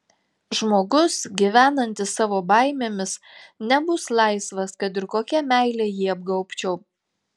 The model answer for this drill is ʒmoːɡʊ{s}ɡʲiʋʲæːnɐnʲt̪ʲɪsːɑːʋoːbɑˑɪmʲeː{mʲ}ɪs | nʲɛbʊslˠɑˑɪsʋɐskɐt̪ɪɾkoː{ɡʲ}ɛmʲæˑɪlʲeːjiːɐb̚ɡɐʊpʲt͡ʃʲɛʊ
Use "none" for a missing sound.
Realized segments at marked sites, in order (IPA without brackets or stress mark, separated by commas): s, mʲ, kʲ